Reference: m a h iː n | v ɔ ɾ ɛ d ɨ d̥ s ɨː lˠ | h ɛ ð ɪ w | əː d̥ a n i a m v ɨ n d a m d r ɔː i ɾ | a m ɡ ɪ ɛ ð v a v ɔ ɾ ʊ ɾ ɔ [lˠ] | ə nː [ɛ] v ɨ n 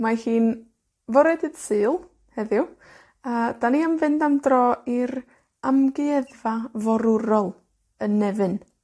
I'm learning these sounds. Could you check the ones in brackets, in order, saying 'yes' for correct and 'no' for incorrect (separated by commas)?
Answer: yes, yes